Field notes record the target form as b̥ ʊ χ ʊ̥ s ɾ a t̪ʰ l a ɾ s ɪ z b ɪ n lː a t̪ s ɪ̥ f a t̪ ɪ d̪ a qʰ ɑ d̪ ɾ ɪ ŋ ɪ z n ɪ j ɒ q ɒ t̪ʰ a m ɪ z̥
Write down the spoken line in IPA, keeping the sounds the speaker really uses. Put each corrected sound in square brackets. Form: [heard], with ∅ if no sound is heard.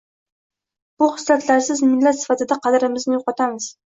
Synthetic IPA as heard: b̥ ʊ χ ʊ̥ s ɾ a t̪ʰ l a ɾ s ɪ z [m] ɪ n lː a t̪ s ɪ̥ f a t̪ ɪ d̪ a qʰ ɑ d̪ ɾ ɪ [m] ɪ z n ɪ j [o] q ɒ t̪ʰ a m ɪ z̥